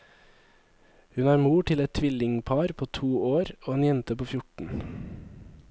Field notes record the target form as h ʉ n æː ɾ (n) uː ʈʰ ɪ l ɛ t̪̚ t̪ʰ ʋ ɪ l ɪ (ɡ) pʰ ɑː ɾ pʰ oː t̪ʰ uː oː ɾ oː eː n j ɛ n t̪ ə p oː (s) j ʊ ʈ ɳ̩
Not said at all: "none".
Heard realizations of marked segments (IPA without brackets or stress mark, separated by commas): m, ŋ, f